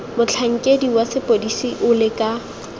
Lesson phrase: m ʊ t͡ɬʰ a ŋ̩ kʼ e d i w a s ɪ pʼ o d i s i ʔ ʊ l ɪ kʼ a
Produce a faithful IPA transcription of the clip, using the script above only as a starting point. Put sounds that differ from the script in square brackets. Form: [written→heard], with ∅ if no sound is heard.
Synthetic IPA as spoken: m ʊ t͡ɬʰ a ŋ̩ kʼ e d i w a s ɪ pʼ o d i s i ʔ ʊ l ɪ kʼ a